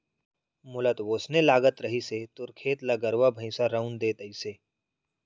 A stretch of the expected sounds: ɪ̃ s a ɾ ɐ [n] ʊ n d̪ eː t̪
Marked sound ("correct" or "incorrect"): incorrect